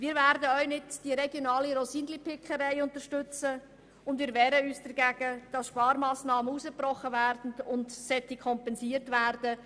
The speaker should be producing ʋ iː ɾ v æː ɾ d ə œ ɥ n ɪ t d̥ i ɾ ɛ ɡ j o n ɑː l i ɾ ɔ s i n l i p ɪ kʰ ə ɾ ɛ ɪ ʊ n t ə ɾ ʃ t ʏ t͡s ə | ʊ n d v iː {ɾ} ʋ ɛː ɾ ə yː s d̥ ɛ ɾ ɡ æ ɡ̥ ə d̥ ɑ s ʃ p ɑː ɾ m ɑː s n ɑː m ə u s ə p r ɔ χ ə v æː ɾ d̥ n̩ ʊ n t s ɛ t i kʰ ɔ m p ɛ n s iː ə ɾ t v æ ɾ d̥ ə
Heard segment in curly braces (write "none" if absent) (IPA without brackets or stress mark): ɾ